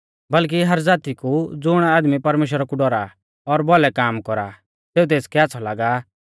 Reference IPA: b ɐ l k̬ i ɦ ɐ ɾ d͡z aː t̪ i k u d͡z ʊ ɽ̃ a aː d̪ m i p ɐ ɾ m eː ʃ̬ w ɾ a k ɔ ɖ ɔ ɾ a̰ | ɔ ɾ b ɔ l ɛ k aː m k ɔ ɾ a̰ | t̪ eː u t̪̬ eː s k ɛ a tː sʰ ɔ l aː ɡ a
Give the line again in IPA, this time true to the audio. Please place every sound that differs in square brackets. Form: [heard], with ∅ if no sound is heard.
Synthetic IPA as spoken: b ɐ l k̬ i ɦ ɐ ɾ d͡z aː t̪ i k u d͡z ʊ ɽ̃ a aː d̪ m i p ɐ ɾ m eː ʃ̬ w ɾ a k [u] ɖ ɔ ɾ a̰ | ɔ ɾ b ɔ l ɛ k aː m k ɔ ɾ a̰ | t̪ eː u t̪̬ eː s k ɛ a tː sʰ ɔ l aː ɡ a